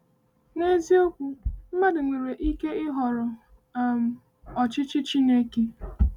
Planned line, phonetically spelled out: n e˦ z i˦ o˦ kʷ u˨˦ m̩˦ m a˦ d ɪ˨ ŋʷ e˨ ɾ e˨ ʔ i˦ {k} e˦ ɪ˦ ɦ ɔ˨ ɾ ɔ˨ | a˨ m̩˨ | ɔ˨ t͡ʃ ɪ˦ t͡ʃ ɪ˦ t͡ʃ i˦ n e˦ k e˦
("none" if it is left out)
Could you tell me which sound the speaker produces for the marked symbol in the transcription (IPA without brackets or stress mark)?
k